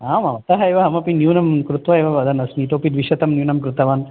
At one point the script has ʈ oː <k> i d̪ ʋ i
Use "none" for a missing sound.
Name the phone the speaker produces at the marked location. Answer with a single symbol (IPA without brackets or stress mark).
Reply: p